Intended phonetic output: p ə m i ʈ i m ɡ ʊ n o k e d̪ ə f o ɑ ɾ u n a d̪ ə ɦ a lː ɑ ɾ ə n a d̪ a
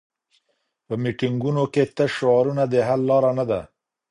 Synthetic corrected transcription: p ə m i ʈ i ŋ ɡ u n o k e t̪ ə ʃ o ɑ ɾ u n a d̪ ə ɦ a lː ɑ ɾ a n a d̪ a